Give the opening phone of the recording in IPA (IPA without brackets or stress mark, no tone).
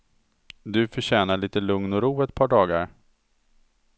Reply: d̪